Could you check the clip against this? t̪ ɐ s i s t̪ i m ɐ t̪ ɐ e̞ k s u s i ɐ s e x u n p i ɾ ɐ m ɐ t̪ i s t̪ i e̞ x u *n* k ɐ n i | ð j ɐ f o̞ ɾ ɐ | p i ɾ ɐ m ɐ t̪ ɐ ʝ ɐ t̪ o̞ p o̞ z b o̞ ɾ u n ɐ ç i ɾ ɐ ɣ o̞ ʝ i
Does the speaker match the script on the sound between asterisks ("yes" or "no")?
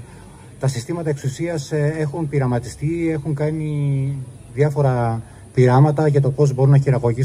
no